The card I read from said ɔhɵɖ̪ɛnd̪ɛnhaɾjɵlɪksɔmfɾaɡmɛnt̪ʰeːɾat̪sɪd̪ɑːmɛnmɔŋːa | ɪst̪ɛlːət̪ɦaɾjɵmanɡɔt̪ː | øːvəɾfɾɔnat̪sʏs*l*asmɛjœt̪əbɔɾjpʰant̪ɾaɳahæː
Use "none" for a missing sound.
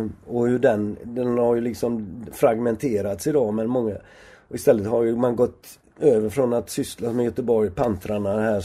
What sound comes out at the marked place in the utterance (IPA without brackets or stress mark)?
l